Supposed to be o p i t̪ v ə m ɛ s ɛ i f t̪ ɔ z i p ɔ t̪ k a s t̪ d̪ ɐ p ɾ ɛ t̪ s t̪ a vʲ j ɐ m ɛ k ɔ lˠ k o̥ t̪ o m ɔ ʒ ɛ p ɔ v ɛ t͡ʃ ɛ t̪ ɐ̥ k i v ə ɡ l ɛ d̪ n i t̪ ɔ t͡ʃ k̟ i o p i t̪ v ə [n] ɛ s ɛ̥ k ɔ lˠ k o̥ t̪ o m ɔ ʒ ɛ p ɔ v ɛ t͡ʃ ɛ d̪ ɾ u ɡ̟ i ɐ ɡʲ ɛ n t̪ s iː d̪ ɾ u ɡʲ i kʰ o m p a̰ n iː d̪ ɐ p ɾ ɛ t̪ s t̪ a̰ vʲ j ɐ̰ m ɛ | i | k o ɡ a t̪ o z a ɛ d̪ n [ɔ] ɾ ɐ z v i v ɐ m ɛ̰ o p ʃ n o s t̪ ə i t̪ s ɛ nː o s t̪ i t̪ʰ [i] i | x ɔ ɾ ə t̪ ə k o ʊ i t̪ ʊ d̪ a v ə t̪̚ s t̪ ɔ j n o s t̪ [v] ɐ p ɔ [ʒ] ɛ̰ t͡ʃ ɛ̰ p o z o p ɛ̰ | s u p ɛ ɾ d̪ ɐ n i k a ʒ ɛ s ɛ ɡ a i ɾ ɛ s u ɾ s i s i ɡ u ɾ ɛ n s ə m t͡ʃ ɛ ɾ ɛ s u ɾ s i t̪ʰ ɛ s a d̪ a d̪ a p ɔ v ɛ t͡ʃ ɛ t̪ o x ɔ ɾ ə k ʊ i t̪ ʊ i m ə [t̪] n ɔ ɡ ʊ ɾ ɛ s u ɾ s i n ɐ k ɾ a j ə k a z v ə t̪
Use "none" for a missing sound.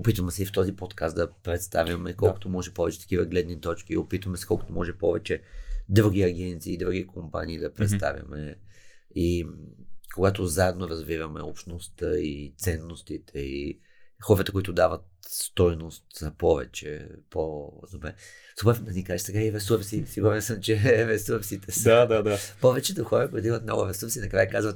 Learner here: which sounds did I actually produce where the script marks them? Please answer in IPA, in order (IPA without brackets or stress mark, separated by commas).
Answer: m, o, ɛ, z, v, t̪